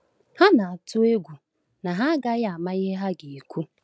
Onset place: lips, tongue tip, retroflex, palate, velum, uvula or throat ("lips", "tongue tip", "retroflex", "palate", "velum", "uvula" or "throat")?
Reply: throat